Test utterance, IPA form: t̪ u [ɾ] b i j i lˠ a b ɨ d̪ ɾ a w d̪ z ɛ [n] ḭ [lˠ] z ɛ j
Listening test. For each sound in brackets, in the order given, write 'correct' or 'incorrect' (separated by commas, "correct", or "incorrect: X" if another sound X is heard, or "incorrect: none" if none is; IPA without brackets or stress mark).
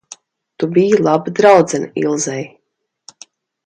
incorrect: none, correct, correct